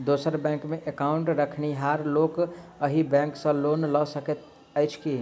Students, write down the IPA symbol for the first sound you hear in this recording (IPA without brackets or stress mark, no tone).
d̪